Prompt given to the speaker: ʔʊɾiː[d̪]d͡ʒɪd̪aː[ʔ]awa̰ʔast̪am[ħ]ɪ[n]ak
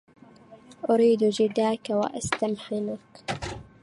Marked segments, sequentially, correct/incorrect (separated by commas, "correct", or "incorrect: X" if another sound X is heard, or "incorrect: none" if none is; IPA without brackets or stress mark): correct, incorrect: k, correct, correct